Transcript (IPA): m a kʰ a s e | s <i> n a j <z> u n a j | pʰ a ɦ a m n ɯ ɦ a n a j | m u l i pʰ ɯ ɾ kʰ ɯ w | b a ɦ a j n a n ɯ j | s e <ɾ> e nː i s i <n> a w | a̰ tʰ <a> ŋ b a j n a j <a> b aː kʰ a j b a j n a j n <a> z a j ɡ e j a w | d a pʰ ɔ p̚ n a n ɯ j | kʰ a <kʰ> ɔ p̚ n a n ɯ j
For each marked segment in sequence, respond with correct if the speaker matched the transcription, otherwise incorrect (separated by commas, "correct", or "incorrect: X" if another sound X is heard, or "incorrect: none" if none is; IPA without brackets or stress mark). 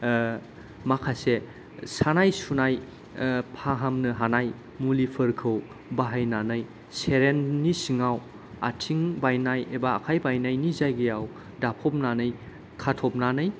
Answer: incorrect: a, incorrect: s, correct, incorrect: ŋ, incorrect: i, incorrect: e, incorrect: i, incorrect: tʰ